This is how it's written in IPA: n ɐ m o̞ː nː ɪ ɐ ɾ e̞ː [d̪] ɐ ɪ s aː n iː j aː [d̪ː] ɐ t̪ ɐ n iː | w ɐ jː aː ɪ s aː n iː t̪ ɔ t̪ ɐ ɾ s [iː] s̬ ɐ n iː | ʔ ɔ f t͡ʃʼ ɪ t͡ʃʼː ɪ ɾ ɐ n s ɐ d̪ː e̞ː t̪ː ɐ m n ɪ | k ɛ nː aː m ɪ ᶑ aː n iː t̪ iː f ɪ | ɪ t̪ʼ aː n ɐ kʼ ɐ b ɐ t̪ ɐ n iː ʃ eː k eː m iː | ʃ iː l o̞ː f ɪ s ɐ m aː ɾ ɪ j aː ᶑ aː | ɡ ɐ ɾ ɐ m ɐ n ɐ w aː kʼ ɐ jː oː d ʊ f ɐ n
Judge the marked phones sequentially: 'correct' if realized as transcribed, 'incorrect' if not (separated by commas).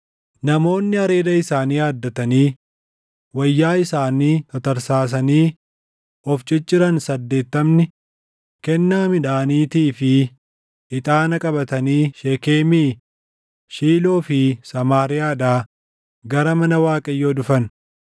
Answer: correct, correct, incorrect